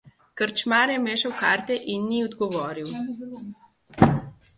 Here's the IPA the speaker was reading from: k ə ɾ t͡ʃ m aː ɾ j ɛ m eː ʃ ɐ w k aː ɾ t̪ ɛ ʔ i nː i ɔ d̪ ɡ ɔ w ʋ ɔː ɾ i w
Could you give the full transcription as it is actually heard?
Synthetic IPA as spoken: k ə ɾ t͡ʃ m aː ɾ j ɛ m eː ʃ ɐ w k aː ɾ t̪ ɛ ʔ i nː i ɔ d̪ ɡ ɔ ʋ ɔː ɾ i w

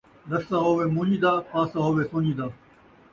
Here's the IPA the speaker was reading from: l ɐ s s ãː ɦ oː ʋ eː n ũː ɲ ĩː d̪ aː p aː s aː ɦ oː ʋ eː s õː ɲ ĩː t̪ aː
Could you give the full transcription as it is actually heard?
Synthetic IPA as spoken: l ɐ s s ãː ɦ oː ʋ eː m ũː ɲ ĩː d̪ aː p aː s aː ɦ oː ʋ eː s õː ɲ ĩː d̪ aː

